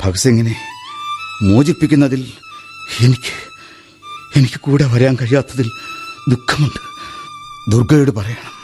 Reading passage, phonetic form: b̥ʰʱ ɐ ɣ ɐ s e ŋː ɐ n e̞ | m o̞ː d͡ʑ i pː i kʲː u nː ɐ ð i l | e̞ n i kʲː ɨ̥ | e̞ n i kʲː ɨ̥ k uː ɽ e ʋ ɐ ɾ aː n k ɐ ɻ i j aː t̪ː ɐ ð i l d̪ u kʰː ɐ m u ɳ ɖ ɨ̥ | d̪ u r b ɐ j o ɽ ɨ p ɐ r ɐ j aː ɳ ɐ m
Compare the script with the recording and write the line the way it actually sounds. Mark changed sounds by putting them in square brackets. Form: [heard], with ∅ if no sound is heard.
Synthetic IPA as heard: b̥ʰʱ ɐ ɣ ɐ s e ŋː ɐ n e̞ | m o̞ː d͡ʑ i pː i kʲː u nː ɐ ð i l | e̞ n i kʲː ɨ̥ | e̞ n i kʲː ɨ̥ k uː ɽ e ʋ ɐ ɾ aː n k ɐ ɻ i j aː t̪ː ɐ ð i l d̪ u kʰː ɐ m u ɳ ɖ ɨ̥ | d̪ u r [ɡ] ɐ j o ɽ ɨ p ɐ r ɐ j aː ɳ ɐ m